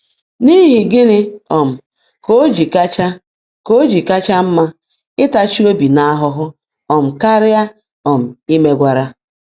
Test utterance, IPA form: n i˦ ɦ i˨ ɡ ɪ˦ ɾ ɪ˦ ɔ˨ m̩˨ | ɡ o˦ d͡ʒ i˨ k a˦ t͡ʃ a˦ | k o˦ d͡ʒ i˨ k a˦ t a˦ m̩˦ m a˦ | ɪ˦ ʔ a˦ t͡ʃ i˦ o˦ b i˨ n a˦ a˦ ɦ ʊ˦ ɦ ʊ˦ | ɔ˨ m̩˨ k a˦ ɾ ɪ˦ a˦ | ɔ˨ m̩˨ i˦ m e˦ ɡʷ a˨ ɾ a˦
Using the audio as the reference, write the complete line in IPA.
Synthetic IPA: n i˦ ɦ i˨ ɡ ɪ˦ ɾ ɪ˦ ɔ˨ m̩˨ | k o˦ d͡ʒ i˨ k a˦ t͡ʃ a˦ | k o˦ d͡ʒ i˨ k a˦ t͡ʃ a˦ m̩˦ m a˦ | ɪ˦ t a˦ t͡ʃ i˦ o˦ b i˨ n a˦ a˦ ɦ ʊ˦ ɦ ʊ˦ | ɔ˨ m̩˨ k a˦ ɾ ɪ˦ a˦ | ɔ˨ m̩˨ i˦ m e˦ ɡʷ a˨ ɾ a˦